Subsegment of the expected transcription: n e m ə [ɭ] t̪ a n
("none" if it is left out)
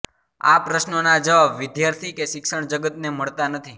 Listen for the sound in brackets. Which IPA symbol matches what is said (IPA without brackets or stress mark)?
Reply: ɭ